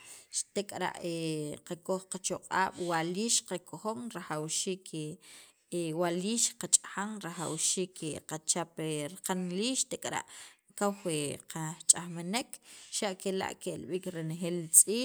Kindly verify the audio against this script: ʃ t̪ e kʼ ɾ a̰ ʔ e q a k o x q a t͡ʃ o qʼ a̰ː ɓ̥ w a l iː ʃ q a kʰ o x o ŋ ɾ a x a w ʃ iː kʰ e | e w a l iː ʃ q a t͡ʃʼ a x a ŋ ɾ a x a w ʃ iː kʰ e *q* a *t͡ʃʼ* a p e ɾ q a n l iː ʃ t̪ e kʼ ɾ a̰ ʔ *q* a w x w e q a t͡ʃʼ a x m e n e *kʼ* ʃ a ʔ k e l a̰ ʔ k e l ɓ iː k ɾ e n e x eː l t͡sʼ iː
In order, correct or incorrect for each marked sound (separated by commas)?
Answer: correct, incorrect, incorrect, incorrect